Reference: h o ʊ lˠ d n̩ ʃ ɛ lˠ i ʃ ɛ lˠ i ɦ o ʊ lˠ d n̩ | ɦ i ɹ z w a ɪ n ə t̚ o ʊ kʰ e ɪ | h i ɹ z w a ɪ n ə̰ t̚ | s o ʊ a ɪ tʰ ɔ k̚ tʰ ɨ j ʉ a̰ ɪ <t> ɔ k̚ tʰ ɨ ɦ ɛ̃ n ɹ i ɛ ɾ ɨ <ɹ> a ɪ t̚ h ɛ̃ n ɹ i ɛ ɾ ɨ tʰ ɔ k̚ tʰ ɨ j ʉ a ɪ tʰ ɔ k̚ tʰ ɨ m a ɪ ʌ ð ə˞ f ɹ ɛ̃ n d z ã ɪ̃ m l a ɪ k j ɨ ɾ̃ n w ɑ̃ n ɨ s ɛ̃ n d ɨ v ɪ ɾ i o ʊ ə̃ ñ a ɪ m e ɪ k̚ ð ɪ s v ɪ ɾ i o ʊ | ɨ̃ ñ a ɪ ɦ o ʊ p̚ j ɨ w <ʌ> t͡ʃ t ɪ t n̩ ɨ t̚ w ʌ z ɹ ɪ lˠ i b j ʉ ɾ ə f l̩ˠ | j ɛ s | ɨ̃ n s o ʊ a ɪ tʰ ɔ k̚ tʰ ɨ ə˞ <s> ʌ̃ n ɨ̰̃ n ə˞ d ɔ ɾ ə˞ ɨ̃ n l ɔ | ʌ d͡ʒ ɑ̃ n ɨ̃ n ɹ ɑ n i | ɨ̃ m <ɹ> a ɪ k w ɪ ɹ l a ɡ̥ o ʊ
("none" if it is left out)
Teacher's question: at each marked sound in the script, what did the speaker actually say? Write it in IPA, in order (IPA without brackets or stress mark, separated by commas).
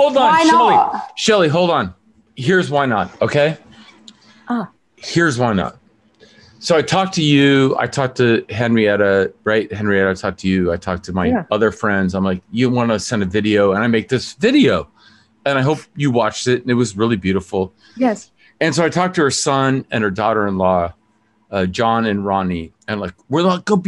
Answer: tʰ, ɹ, ɑ, s, l